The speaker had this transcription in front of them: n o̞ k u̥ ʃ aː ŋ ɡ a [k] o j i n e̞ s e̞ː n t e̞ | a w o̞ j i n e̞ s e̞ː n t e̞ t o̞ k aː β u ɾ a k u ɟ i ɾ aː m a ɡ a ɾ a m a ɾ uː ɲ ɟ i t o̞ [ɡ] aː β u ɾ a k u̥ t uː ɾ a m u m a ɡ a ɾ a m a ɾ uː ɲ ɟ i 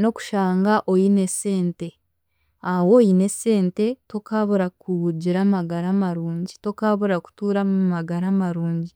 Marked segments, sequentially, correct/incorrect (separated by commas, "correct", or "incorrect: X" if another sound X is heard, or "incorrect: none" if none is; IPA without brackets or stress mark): incorrect: ʔ, incorrect: k